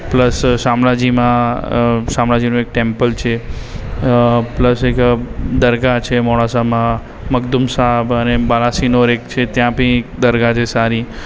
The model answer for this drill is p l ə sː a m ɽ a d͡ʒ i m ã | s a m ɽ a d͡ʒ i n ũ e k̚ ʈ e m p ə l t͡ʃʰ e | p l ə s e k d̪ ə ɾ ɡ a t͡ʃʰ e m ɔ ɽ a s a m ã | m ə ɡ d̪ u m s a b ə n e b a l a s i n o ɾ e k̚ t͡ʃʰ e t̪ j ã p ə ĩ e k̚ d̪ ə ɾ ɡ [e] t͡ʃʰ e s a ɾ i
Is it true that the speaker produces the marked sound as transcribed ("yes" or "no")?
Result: no